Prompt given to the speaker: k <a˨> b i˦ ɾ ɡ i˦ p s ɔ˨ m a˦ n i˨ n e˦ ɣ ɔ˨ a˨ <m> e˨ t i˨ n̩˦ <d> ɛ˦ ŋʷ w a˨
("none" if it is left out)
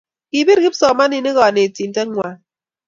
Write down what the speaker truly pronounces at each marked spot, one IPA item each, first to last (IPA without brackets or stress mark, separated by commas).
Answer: i˨, n, t